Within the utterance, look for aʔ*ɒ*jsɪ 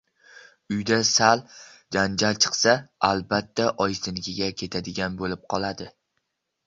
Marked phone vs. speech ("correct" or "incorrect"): correct